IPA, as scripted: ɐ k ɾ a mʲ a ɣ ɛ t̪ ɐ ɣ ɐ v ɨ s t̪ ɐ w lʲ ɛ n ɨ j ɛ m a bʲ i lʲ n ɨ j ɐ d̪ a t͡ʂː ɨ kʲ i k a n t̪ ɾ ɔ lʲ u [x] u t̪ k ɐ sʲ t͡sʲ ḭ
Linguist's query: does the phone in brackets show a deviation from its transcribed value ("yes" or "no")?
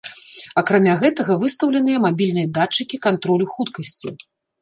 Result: no